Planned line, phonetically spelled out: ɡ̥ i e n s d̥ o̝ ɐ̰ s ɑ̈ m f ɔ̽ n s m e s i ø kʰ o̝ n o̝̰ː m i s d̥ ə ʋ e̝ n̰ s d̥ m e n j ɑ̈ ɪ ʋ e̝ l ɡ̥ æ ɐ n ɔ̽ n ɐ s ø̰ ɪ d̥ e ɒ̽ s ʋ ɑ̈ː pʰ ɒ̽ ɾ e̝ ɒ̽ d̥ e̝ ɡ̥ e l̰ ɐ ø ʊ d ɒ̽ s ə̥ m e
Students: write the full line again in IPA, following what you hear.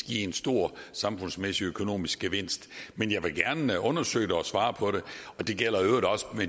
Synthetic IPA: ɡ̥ i e n s d̥ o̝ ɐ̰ s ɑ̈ m f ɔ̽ n s m e s i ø kʰ o̝ n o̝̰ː m i s ɡ̥ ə ʋ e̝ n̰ s d̥ m e n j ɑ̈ ɪ ʋ e̝ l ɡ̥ æ ɐ n ɔ̽ n ɐ s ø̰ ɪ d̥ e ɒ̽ s ʋ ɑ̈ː pʰ ɒ̽ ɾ e̝ ɒ̽ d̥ e̝ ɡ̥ e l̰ ɐ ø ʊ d ɒ̽ s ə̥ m e